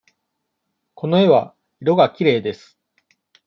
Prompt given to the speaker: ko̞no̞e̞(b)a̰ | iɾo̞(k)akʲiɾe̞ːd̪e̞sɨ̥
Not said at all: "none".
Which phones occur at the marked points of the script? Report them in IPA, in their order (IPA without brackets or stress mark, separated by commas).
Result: β, ɡ